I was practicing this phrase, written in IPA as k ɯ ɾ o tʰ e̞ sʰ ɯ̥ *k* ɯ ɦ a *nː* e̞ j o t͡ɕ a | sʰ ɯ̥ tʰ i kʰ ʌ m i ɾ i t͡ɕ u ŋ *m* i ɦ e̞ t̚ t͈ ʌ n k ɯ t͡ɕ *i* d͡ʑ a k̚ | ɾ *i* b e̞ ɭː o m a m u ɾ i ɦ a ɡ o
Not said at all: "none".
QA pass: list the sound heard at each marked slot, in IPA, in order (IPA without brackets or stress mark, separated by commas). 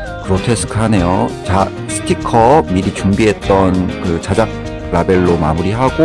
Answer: kʰ, n, b, a, a